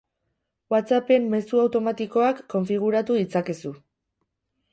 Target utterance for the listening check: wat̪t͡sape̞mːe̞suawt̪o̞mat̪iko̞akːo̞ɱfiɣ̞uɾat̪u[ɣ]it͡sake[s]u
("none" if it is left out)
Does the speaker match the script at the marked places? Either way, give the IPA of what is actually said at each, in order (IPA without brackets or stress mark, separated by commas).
ð, s